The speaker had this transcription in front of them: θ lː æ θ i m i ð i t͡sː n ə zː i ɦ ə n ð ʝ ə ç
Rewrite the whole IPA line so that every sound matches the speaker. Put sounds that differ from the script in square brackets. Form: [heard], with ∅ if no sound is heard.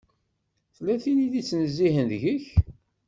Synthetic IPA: θ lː æ θ i [n] i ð i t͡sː n ə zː i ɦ ə n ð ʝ ə ç